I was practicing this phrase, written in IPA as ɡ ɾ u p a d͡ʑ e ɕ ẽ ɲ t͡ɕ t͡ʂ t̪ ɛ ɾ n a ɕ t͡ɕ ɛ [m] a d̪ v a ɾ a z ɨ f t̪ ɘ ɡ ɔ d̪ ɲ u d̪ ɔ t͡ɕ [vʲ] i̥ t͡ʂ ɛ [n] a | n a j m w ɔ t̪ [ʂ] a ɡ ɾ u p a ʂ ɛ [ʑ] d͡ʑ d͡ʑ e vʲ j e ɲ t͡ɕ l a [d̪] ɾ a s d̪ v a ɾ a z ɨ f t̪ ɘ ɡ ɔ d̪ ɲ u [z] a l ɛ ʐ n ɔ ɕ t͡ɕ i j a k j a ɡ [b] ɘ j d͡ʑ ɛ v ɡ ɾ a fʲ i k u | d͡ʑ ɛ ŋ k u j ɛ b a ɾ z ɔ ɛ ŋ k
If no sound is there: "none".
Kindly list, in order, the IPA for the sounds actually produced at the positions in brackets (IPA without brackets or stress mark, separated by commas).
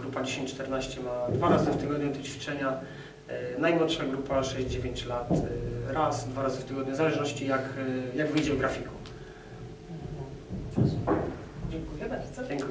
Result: m, fʲ, ɲ, ʂ, ʑ, t̪, z, v